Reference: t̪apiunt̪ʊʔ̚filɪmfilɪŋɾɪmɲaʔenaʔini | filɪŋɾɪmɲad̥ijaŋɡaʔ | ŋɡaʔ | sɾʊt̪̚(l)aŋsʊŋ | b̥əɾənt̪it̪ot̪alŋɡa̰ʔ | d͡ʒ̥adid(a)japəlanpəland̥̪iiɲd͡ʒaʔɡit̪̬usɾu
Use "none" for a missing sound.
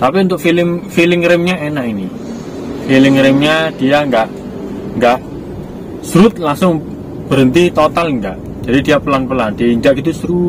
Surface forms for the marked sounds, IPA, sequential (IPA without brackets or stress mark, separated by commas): l, i